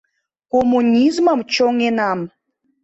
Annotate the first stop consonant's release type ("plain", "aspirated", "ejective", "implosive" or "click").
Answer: plain